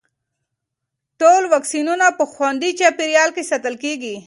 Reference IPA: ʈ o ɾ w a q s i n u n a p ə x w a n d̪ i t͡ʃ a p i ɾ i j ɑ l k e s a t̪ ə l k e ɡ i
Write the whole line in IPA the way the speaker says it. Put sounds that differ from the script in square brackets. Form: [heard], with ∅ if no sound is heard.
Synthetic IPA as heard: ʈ o [l] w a [k] s i n u n a p ə x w a n d̪ i t͡ʃ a p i ɾ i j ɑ l k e s a t̪ ə l k e ɡ i